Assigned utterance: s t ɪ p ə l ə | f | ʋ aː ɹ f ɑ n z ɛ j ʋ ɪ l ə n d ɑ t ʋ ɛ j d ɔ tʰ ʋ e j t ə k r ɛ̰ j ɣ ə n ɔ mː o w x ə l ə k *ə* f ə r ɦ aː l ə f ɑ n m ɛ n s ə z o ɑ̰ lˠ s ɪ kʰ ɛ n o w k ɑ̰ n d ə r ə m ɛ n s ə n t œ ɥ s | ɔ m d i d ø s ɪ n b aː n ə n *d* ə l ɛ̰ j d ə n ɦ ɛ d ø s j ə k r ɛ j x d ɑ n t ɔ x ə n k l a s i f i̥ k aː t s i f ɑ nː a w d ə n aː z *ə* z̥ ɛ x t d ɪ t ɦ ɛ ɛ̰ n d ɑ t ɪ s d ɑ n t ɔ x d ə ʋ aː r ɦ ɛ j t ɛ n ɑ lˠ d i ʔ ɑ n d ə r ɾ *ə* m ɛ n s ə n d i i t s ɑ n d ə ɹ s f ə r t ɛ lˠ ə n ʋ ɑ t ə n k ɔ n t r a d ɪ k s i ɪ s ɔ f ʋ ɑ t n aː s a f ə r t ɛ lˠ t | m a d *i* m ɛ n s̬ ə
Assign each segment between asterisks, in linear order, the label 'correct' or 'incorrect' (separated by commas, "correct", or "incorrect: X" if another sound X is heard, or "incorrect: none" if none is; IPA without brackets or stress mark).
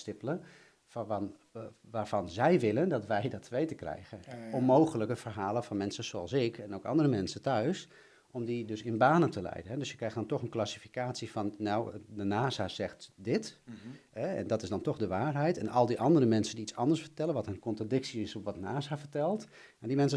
correct, incorrect: t, incorrect: a, correct, correct